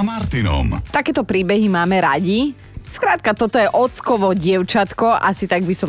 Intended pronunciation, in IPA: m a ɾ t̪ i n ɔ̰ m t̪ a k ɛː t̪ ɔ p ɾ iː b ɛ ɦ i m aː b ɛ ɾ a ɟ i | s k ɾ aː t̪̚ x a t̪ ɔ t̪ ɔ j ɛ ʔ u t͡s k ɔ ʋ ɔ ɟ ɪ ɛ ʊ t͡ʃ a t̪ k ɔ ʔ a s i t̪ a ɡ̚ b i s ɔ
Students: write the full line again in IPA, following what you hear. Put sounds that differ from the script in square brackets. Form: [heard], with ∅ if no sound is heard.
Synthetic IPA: m a ɾ t̪ i n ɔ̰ m t̪ a k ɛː t̪ ɔ p ɾ iː b ɛ ɦ i m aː [m] ɛ ɾ a ɟ i | s k ɾ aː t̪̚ [k] a t̪ ɔ t̪ ɔ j ɛ ʔ [ɔ] t͡s k ɔ ʋ ɔ ɟ ɪ ɛ ʊ t͡ʃ a t̪ k ɔ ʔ a s i t̪ a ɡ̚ b i s ɔ